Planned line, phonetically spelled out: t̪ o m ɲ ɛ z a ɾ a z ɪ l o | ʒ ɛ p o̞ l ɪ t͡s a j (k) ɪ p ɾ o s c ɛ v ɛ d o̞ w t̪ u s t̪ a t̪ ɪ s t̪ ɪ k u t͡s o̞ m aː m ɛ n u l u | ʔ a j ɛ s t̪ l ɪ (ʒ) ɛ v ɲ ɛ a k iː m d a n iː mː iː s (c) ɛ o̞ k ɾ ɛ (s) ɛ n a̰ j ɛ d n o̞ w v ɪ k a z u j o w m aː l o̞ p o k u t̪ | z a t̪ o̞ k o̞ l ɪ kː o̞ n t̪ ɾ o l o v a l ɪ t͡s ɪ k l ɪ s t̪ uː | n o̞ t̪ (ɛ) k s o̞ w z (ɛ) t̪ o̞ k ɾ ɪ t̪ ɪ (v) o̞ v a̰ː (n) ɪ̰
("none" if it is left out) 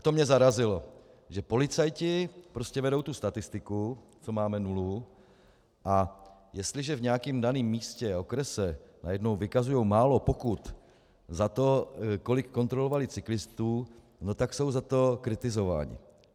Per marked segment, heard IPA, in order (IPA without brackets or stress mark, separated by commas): c, ʒ, c, s, a, a, z, ɲ